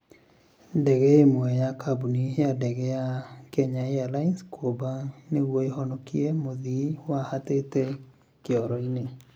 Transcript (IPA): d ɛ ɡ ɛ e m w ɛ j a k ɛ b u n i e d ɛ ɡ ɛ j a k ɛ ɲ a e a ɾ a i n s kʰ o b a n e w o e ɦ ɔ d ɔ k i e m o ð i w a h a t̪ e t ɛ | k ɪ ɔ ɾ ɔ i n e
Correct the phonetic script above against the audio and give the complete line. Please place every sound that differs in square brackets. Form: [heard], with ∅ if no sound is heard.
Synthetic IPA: d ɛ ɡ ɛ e m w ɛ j a k [a] b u n i [a] d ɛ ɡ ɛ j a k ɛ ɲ a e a [l] a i n s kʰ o b a n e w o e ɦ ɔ [n] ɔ k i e m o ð i w a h a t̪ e t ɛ | k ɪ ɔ ɾ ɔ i n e